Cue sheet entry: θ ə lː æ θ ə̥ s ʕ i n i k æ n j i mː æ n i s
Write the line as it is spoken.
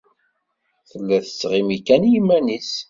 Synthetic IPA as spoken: θ ə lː æ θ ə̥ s ʁ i m i k æ n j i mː æ n i s